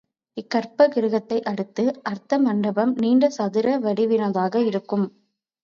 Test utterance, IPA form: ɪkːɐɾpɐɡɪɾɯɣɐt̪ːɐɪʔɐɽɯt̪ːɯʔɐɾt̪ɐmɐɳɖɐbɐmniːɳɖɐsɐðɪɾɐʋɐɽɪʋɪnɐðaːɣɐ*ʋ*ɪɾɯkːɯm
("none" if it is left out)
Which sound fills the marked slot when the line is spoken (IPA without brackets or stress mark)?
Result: none